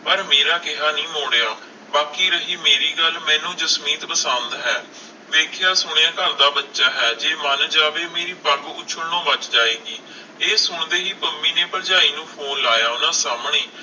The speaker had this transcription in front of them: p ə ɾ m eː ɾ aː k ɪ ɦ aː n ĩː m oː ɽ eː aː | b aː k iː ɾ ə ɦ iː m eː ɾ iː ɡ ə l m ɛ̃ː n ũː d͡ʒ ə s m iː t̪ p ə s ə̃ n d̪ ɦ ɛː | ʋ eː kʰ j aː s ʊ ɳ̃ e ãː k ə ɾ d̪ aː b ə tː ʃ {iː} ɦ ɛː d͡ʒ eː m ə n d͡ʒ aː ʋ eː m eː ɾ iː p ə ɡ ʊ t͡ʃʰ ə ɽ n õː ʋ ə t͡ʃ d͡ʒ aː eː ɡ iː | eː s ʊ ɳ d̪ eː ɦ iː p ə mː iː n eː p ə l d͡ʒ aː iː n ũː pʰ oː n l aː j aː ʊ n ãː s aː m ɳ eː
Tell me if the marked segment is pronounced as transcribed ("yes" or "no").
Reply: no